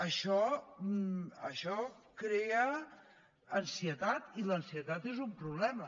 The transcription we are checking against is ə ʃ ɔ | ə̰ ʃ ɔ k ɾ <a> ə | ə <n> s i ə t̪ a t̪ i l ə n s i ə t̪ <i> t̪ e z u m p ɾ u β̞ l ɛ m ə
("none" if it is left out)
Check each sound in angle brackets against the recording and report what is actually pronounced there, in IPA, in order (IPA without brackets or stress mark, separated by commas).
e, n, a